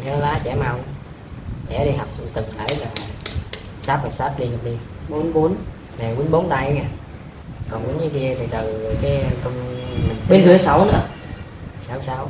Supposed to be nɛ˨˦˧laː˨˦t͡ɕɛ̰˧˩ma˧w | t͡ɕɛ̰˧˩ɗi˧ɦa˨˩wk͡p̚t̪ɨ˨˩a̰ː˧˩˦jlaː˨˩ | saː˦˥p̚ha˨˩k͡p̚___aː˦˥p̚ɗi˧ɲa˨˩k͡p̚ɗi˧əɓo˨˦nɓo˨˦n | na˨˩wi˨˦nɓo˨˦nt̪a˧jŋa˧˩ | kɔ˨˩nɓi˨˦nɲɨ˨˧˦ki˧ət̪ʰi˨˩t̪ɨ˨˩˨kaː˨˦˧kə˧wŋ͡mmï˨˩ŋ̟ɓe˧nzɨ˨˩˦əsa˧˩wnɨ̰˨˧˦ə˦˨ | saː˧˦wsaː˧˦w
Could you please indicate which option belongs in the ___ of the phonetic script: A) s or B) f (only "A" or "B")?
A